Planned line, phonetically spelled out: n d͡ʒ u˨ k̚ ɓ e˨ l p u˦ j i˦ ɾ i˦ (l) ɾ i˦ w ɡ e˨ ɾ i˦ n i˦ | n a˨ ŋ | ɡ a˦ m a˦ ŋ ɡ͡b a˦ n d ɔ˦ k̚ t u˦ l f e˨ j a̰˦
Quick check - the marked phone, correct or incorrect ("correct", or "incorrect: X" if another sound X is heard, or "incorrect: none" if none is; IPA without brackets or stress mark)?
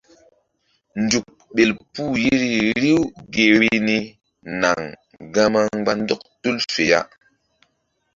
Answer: incorrect: none